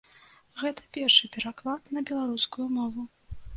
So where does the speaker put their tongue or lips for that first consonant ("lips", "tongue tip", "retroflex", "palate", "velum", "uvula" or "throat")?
velum